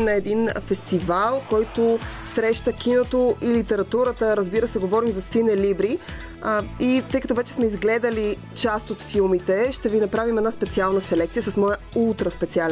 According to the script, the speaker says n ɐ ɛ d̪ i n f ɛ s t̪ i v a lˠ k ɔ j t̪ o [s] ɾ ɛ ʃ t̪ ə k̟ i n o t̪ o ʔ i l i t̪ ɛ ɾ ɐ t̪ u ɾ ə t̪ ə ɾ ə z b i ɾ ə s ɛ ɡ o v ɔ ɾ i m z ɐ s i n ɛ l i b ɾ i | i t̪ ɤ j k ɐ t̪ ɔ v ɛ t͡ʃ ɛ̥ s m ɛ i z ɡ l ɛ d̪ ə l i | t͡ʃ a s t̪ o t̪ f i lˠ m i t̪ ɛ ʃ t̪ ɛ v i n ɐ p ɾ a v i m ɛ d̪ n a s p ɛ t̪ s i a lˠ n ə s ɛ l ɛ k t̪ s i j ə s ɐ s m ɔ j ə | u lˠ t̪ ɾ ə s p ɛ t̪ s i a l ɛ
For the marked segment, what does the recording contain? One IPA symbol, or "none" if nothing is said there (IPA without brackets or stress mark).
s